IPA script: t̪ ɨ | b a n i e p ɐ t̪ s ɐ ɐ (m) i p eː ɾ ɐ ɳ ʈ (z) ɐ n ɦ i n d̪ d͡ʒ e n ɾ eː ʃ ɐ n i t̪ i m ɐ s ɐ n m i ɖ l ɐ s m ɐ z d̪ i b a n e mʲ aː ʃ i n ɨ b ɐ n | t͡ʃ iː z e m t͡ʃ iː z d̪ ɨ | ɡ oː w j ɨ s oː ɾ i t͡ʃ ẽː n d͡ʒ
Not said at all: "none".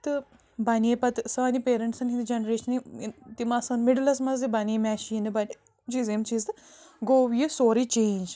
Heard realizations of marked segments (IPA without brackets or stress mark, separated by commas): n, s